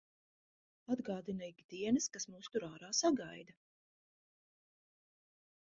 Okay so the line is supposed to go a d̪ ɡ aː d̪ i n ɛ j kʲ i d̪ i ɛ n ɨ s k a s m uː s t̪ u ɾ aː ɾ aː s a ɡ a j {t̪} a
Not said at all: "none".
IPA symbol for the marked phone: d̪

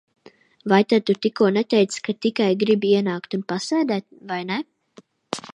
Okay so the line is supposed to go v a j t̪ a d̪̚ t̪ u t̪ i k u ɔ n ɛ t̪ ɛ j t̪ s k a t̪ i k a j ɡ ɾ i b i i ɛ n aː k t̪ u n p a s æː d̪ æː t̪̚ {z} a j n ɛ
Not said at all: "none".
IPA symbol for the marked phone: v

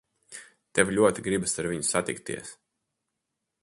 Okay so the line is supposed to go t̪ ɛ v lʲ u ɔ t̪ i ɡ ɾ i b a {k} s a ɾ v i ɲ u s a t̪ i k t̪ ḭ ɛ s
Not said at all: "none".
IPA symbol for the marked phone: none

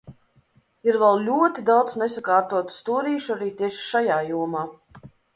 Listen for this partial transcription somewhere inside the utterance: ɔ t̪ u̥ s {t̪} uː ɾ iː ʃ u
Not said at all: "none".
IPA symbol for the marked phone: t̪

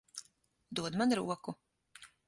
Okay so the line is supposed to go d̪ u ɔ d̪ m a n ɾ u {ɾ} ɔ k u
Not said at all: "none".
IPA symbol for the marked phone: none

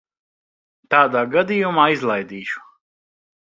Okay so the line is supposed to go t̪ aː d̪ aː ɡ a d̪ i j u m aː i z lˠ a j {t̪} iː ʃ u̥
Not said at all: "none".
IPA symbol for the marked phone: d̪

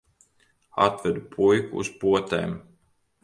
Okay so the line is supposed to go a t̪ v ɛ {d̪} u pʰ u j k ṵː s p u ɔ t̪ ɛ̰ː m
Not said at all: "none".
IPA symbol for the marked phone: d̪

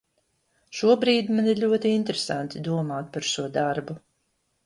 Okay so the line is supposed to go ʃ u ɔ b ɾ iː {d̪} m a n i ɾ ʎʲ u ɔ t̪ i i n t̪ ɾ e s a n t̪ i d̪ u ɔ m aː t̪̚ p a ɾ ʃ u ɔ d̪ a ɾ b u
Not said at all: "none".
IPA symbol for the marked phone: d̪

